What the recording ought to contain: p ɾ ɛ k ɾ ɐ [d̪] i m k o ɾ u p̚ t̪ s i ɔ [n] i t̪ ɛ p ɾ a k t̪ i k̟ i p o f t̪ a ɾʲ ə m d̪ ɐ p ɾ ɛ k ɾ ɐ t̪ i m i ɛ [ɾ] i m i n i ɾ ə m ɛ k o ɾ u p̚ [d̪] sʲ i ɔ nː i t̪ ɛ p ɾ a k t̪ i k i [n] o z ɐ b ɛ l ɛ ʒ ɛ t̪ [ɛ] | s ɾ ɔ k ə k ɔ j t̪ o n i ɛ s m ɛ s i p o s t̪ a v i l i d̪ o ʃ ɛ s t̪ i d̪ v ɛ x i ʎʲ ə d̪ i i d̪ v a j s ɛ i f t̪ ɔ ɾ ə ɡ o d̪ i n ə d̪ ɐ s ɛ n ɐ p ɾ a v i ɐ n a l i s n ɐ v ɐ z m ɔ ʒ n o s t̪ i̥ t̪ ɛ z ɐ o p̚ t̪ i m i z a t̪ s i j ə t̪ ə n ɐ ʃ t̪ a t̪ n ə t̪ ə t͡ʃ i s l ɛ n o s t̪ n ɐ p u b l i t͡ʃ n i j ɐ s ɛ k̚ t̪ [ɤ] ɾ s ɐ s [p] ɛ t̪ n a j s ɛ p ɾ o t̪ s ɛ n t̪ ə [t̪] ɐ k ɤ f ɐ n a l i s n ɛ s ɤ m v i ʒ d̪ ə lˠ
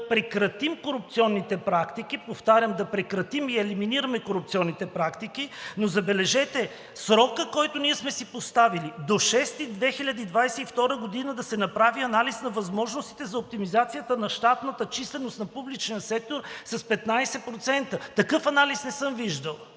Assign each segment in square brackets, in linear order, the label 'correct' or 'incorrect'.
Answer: incorrect, incorrect, incorrect, incorrect, correct, correct, incorrect, correct, correct

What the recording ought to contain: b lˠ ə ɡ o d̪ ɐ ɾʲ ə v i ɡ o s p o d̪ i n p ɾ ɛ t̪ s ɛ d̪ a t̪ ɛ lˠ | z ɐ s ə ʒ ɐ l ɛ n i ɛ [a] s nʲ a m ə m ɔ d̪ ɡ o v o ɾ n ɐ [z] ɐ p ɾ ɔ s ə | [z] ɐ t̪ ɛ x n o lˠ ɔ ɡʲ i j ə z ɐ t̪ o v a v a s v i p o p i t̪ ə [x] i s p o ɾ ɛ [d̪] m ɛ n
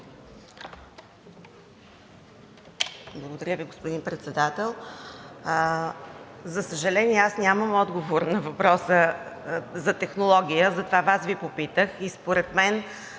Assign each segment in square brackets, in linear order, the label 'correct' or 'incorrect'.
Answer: correct, incorrect, correct, correct, incorrect

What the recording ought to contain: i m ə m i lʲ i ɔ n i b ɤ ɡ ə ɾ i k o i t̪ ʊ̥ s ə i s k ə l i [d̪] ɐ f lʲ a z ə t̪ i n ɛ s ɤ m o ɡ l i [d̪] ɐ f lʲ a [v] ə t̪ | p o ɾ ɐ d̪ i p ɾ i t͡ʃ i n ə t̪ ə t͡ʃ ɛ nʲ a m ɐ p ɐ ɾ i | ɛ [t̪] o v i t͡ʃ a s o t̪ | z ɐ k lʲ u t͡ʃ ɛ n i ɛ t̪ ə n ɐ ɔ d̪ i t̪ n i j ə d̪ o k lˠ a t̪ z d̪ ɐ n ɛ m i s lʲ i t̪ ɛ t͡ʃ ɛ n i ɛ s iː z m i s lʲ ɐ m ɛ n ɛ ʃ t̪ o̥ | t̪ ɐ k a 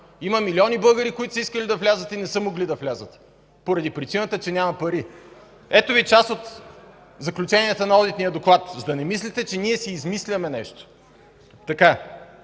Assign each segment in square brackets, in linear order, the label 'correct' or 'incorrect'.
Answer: correct, correct, incorrect, correct

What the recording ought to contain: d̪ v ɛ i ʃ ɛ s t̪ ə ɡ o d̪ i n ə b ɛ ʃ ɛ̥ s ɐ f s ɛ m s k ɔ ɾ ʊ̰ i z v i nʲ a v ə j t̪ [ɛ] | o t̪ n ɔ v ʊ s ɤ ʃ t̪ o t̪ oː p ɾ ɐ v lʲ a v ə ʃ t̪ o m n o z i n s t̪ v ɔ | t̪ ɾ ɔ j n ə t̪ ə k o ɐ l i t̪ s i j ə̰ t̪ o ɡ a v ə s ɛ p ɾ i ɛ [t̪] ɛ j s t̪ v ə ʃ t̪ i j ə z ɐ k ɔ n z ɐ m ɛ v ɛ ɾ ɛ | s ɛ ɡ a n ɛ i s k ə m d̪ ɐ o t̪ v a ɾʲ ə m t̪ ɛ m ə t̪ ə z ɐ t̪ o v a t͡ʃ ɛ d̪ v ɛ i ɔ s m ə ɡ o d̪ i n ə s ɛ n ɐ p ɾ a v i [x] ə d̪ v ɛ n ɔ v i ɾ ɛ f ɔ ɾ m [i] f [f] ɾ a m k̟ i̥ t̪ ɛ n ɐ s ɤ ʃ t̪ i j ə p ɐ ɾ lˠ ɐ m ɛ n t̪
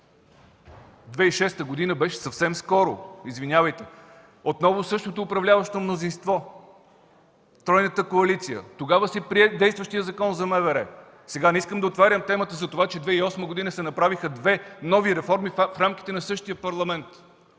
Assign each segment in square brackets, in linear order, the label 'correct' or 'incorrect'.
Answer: correct, incorrect, correct, correct, correct

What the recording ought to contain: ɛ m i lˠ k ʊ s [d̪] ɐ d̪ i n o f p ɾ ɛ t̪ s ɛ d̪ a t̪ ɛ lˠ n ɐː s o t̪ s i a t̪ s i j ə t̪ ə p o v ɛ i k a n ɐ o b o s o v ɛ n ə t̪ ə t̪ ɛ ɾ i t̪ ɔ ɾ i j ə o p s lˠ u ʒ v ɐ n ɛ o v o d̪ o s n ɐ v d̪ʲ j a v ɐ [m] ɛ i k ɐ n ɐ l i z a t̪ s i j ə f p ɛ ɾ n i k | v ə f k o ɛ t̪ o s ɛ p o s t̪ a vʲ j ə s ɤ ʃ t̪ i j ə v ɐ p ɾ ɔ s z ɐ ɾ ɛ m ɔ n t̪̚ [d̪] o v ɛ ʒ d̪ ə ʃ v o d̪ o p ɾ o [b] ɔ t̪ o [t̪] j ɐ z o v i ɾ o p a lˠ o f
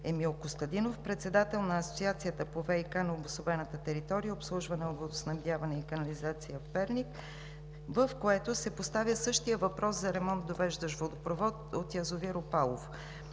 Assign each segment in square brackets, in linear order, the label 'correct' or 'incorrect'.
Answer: incorrect, incorrect, correct, incorrect, correct

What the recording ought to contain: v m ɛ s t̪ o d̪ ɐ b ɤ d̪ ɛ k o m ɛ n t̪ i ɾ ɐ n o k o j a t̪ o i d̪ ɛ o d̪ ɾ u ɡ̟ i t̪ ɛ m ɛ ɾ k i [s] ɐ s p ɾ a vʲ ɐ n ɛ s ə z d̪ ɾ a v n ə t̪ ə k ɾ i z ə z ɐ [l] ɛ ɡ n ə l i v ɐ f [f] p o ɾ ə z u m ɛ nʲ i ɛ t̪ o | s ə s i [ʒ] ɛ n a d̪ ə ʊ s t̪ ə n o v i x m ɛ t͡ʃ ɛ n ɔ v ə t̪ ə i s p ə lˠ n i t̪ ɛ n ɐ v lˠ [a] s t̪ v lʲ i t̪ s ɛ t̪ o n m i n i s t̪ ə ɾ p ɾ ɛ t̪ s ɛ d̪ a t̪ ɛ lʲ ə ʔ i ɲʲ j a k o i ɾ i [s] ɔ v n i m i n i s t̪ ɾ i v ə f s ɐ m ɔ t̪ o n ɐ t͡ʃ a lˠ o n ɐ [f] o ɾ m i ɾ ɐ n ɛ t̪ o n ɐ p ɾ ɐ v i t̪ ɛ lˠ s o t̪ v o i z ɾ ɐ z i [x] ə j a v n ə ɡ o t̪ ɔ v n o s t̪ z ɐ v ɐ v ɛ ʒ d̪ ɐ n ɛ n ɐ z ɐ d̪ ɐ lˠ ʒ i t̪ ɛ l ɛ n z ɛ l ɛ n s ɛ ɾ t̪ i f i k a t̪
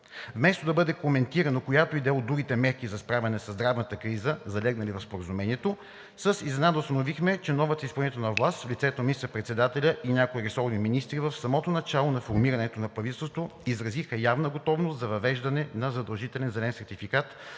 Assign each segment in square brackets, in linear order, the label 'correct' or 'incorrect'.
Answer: incorrect, correct, incorrect, incorrect, correct, correct, correct, correct

